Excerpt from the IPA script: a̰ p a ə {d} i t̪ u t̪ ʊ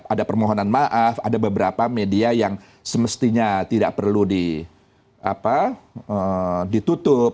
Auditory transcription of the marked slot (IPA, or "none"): d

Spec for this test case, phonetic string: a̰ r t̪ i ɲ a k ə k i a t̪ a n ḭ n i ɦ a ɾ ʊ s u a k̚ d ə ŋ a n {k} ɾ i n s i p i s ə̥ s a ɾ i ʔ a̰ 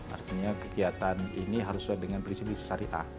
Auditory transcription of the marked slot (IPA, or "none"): p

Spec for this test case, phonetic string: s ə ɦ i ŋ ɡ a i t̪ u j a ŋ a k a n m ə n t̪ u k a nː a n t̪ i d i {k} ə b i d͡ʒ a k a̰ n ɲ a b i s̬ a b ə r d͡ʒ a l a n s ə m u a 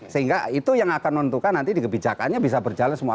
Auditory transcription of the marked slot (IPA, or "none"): k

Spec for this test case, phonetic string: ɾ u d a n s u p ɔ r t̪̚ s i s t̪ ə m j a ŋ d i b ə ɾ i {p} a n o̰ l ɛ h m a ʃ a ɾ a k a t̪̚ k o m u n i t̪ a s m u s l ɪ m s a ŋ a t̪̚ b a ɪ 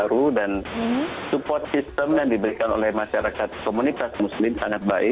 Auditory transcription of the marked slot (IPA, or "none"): k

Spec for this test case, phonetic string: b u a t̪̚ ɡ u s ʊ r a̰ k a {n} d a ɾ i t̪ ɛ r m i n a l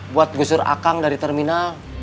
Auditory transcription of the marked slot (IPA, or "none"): ŋ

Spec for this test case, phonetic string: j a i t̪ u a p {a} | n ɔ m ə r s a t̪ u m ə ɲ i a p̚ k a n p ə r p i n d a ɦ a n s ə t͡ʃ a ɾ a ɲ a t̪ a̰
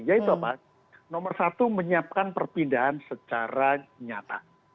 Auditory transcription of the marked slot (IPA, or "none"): a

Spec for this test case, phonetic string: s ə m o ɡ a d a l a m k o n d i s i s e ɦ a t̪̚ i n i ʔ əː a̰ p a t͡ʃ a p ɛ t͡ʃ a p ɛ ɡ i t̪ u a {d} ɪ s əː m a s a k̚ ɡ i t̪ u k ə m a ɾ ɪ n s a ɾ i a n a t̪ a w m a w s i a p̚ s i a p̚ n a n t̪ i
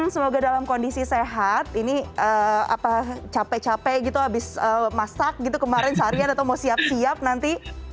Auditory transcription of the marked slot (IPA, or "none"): b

